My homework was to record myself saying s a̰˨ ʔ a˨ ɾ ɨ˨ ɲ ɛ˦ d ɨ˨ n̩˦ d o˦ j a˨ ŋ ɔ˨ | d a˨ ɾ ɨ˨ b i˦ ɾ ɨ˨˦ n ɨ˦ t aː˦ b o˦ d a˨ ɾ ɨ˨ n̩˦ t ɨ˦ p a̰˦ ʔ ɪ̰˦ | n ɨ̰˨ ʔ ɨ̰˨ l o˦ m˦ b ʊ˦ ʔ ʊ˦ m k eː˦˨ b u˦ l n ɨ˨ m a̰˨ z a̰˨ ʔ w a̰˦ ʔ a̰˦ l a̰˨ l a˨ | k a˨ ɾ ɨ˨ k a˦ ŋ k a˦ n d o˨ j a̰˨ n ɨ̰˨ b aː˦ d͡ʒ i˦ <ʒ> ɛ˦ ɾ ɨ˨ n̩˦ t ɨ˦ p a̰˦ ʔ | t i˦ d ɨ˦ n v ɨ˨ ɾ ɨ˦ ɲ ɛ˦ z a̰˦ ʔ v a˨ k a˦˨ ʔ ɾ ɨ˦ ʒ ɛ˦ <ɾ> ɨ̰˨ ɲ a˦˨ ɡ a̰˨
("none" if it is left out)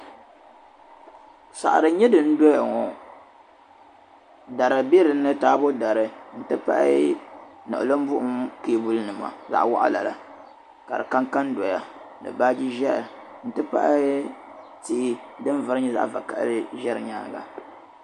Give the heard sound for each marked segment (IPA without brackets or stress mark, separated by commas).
ʒ, ɾ